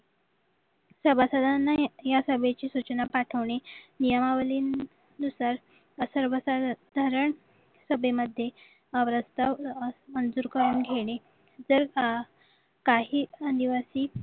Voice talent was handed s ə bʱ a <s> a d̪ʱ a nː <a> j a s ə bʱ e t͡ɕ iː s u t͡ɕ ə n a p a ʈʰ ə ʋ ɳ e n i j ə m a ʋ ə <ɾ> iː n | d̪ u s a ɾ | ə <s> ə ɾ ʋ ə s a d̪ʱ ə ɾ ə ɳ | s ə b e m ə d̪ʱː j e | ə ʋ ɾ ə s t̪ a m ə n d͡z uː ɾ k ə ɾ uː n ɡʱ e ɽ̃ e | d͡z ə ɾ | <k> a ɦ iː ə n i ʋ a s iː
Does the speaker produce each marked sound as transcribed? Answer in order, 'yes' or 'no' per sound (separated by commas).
yes, yes, no, yes, yes